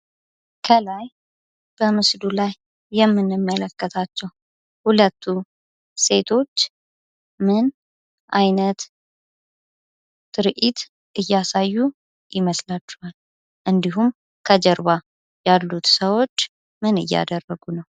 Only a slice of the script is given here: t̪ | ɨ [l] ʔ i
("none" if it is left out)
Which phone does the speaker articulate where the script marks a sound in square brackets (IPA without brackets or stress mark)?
ɾ